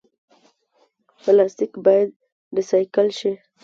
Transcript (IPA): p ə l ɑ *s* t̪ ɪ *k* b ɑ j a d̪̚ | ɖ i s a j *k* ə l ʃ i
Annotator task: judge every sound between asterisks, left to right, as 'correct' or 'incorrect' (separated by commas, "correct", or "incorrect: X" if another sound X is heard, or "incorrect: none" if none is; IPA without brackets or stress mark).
correct, correct, correct